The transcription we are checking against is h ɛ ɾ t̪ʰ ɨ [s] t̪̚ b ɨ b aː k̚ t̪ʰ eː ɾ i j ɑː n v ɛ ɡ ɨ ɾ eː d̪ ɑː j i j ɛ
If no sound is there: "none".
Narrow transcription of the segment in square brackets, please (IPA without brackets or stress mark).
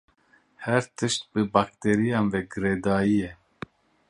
ʃ